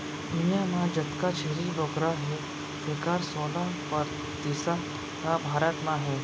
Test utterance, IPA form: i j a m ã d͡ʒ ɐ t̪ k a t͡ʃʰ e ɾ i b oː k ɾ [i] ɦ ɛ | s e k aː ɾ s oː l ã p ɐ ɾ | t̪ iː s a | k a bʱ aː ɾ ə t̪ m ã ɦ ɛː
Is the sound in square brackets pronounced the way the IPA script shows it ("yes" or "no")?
no